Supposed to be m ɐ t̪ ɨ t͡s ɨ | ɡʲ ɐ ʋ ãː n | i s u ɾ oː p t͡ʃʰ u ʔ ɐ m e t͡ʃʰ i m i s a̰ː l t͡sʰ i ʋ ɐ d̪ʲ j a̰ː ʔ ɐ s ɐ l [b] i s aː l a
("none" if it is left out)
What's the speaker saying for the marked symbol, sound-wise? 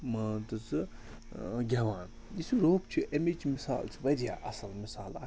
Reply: m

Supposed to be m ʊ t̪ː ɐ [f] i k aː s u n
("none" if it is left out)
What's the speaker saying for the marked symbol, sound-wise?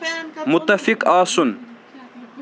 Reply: f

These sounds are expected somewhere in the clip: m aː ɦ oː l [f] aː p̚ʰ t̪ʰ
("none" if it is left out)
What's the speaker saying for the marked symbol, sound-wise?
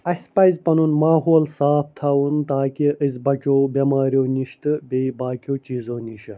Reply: s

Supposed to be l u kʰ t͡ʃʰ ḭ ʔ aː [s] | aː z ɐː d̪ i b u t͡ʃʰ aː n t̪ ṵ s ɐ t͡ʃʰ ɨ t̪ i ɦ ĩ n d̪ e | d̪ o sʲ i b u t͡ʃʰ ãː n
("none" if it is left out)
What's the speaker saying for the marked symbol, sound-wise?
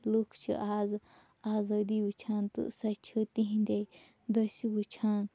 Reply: z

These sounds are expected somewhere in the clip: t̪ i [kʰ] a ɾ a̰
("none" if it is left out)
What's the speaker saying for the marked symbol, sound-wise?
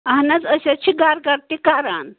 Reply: k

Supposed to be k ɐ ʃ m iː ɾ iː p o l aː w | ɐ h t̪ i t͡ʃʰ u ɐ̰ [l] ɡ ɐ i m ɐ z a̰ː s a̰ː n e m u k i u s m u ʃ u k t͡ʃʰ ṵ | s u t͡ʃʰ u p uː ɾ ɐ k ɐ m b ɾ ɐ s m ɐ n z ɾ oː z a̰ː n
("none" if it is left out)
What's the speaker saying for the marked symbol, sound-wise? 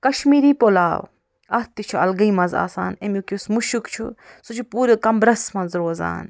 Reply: l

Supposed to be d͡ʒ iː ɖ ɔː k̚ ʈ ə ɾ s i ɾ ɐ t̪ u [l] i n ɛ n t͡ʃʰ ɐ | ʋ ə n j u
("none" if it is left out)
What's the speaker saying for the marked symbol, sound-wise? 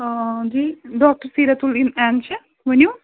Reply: l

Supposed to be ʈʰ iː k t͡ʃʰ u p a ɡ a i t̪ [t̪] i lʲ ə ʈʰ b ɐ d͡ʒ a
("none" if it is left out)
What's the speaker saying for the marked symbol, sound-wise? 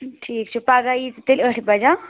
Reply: t̪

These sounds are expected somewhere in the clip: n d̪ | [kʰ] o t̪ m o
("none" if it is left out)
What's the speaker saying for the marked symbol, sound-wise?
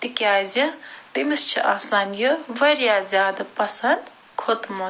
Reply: kʰ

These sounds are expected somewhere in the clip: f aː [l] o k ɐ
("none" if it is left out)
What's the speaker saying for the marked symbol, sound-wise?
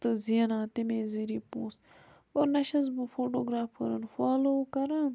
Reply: l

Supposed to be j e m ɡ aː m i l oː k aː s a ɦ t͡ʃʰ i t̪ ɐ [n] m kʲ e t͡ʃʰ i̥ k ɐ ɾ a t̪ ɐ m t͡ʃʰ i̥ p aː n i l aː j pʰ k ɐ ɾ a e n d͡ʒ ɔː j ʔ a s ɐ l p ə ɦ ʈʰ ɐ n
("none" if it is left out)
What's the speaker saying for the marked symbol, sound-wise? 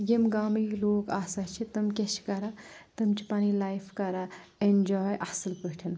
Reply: none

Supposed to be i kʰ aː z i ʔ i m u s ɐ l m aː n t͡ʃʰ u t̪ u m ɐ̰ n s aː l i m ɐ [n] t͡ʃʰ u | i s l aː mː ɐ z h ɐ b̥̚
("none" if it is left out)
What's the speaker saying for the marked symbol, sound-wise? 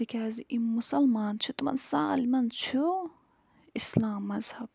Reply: n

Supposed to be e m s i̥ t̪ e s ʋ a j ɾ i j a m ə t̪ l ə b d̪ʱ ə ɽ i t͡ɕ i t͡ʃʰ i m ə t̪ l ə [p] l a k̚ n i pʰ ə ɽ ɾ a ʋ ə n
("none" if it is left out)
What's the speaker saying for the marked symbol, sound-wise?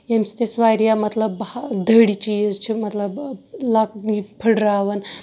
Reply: b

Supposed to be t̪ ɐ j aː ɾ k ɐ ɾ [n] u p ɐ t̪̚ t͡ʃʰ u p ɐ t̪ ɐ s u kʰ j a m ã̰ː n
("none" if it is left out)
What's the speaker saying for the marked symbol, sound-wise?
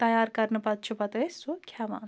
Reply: n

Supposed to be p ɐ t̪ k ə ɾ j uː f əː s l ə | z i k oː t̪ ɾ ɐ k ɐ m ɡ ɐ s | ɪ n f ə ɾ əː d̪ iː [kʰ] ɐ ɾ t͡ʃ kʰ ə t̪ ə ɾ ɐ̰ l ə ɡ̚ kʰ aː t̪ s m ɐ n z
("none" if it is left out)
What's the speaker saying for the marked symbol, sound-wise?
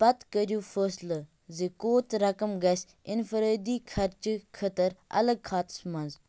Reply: kʰ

